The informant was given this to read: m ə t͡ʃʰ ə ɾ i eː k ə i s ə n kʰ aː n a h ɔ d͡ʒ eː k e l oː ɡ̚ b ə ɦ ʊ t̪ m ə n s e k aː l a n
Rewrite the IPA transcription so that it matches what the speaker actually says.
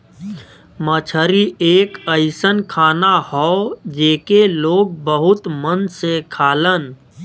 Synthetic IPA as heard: m ə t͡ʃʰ ə ɾ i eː k ə ɪ s ə n kʰ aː n a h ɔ d͡ʒ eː k e l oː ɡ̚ b ə ɦ ʊ t̪ m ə n s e kʰ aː l ə n

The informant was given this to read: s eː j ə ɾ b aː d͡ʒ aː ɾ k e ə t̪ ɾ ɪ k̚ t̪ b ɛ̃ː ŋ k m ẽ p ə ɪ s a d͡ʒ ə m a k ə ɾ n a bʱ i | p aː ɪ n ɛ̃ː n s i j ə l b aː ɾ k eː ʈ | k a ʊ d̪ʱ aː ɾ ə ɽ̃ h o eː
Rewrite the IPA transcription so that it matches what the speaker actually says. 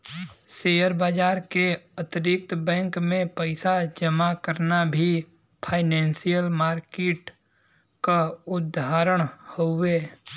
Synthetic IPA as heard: s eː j ə ɾ b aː d͡ʒ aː ɾ k e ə t̪ ɾ ɪ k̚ t̪ b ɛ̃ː ŋ k m ẽ p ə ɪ s a d͡ʒ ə m a k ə ɾ n a bʱ i | pʰ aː ɪ n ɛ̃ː n s i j ə l m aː ɾ k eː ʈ | k a ʊ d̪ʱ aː ɾ ə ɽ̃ h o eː

